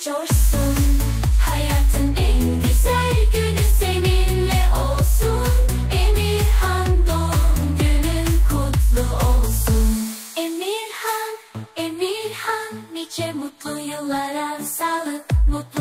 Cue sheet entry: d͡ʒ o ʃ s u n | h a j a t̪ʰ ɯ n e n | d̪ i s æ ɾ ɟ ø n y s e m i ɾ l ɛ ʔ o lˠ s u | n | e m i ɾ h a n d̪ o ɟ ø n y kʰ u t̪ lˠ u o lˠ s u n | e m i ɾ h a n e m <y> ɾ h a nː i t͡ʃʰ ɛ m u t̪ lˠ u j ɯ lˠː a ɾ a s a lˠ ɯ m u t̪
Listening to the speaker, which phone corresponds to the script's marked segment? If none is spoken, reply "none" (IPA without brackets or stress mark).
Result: i